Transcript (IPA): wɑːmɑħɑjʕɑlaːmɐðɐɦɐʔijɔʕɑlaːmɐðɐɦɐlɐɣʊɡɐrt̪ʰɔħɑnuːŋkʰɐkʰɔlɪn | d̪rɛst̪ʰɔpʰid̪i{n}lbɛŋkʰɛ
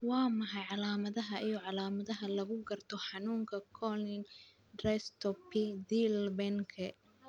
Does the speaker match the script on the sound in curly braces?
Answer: no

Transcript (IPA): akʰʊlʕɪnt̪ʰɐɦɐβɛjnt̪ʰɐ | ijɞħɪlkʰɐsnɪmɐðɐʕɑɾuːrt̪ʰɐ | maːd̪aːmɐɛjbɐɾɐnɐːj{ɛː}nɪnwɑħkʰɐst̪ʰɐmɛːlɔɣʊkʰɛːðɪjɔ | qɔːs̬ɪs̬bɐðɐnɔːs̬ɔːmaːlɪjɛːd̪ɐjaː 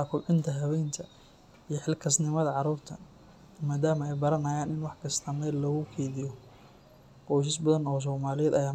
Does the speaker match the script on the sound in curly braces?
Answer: no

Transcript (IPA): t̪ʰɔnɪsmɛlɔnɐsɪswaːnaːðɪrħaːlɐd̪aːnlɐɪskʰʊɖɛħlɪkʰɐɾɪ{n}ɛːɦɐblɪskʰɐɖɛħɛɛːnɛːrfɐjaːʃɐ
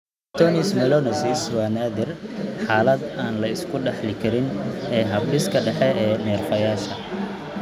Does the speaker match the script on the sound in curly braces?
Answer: yes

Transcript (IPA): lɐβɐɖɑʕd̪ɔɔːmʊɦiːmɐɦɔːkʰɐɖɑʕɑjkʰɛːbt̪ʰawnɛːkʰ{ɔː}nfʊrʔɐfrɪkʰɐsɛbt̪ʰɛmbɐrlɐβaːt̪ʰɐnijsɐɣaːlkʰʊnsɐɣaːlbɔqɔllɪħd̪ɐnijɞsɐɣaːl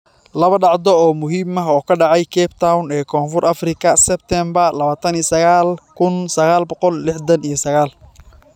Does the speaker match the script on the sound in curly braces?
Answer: yes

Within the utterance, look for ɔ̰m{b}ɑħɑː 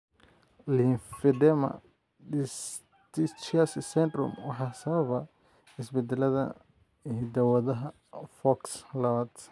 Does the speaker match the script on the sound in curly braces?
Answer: no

